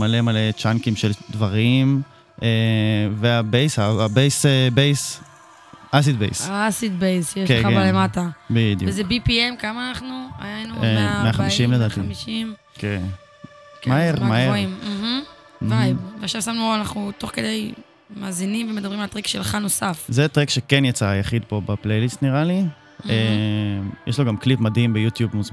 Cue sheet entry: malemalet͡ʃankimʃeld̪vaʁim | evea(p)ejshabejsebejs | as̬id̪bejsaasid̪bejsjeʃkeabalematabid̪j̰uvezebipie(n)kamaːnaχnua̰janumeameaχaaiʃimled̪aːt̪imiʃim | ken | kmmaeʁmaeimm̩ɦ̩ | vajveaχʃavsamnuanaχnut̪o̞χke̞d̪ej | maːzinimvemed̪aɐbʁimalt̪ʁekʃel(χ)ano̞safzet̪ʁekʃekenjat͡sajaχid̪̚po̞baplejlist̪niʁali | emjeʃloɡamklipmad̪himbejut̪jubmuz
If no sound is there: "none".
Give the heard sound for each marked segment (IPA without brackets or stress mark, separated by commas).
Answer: b, m, χ